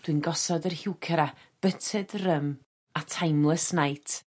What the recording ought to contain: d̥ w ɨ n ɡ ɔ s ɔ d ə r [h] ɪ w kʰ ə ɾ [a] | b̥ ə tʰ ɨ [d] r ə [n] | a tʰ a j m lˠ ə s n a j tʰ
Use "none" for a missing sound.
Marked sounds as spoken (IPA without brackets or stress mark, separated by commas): h, a, d, m